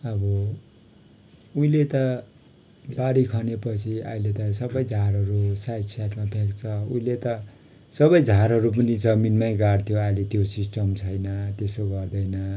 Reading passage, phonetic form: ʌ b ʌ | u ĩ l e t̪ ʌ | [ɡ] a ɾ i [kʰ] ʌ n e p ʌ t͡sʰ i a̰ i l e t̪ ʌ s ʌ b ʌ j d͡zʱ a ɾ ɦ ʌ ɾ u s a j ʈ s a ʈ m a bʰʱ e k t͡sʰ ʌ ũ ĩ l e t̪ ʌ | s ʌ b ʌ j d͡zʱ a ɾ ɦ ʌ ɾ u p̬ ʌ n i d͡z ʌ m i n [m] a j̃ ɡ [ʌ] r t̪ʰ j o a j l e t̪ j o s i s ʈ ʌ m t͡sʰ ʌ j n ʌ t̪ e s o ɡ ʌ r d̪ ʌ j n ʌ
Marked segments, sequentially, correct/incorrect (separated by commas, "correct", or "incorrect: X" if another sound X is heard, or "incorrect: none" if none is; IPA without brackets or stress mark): incorrect: b, correct, correct, incorrect: a